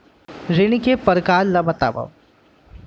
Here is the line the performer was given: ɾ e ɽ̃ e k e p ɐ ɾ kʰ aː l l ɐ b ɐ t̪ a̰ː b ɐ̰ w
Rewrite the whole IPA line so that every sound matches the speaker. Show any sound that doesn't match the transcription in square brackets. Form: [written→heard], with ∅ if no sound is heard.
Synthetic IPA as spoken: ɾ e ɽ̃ [e→i] k e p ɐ ɾ [kʰ→k] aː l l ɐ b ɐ t̪ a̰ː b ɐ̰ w